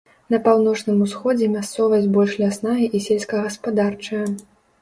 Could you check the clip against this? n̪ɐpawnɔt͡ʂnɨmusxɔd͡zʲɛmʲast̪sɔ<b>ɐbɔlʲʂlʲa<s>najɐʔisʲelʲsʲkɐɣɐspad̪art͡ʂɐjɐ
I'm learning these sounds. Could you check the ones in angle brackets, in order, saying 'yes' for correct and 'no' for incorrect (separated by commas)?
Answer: no, yes